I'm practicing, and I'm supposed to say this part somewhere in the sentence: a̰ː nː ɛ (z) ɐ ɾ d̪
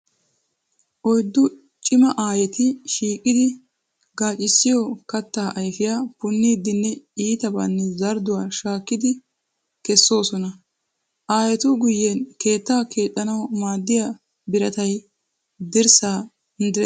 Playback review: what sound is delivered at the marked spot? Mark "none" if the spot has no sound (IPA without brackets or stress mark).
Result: z